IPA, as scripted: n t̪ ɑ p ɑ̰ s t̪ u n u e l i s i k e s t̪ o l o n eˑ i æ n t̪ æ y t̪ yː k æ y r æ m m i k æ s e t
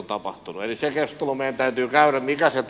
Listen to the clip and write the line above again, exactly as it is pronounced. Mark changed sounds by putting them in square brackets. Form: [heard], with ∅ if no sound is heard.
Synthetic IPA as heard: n t̪ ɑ p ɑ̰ [h] t̪ u n u e l i s [e] k e s t̪ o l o [m] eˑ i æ n t̪ æ y t̪ yː k æ y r æ m m i k æ s e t